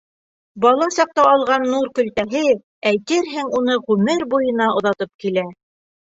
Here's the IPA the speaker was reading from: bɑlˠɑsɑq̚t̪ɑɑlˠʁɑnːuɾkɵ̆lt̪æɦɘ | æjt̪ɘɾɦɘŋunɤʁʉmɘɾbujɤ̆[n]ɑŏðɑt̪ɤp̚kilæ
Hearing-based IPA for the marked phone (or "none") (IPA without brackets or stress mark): n